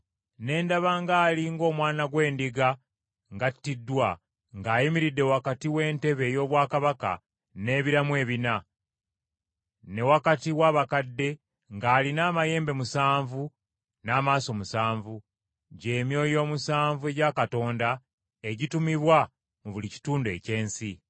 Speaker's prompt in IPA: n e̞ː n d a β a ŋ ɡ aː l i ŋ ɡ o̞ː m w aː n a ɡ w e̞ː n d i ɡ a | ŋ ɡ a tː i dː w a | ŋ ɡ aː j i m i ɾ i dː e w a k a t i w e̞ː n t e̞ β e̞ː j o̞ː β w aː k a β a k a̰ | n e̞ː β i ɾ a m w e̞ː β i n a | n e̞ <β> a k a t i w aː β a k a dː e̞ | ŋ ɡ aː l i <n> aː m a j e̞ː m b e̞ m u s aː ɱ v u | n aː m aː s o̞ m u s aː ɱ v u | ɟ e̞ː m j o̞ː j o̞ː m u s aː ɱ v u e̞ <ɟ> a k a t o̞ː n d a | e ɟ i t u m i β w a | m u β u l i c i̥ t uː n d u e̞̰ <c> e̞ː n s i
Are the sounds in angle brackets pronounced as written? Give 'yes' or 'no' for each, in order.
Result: no, yes, yes, yes

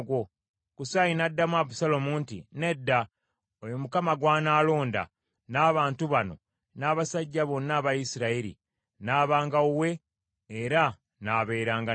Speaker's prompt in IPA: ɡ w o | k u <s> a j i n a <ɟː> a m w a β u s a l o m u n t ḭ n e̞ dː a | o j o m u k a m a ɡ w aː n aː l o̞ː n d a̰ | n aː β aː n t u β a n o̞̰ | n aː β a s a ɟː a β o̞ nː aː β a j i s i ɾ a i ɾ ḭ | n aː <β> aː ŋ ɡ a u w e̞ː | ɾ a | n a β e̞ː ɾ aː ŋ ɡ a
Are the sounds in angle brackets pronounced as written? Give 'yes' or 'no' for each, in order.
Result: yes, no, yes

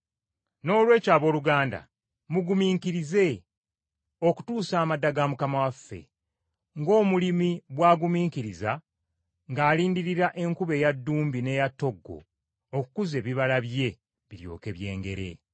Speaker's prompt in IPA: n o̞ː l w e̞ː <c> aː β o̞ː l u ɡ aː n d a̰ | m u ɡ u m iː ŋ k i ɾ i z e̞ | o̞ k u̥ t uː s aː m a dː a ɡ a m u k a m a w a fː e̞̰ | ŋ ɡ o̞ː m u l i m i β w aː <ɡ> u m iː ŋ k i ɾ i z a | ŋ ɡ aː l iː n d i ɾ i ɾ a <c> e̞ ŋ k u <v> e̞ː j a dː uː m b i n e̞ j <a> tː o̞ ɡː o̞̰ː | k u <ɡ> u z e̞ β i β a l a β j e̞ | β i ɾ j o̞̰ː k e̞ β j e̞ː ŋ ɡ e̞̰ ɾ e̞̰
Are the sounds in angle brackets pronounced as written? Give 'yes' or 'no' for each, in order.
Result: yes, yes, no, no, yes, no

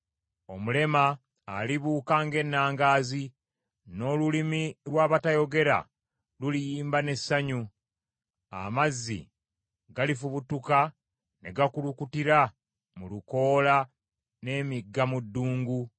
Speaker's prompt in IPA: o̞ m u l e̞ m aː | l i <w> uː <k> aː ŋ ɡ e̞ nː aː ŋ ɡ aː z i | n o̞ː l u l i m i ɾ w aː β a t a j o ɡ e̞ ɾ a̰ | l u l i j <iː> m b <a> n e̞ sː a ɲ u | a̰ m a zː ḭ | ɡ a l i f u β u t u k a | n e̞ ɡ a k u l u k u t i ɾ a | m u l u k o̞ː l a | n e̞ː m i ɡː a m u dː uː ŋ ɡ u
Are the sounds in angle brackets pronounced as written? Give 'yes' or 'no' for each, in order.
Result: no, yes, yes, yes

